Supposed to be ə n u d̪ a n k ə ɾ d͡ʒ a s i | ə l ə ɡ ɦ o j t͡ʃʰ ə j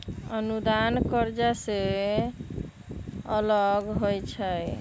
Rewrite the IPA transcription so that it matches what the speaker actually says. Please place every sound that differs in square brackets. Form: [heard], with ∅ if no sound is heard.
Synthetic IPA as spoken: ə n u d̪ a n k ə ɾ d͡ʒ a s [e] | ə l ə ɡ ɦ o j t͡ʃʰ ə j